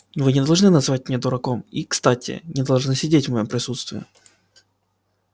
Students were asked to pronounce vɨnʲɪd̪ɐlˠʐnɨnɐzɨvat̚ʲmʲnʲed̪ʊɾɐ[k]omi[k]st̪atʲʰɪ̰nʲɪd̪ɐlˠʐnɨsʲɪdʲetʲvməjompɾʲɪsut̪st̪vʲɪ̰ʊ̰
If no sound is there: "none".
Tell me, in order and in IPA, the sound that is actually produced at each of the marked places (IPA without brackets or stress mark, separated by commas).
k, k